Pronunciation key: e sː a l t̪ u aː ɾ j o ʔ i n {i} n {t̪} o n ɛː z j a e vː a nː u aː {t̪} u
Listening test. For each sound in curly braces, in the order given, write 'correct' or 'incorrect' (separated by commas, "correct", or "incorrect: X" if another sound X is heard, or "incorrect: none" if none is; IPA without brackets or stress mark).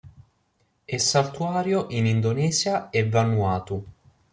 correct, incorrect: d̪, correct